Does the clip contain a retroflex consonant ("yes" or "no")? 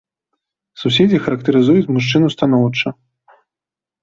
yes